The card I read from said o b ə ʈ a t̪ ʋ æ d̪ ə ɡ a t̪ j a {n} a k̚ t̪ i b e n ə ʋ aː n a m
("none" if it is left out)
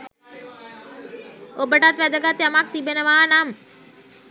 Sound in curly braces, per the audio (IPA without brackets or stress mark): m